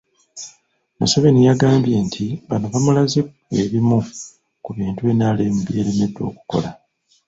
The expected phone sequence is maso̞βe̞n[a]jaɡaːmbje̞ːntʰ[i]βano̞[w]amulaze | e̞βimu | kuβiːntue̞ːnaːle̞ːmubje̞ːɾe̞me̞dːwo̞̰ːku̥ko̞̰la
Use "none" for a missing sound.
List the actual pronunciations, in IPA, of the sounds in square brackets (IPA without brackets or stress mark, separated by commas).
i, i, β